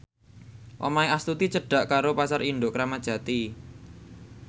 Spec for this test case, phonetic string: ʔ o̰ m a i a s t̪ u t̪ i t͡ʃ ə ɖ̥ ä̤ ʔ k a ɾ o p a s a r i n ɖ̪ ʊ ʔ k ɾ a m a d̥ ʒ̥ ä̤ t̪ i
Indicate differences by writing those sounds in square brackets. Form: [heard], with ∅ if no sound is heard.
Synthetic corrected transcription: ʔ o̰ m a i a s t̪ u t̪ i t͡ʃ ə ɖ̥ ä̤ ʔ k a ɾ o p a s a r i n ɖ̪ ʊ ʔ k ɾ a m a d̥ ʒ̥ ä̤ t̪ i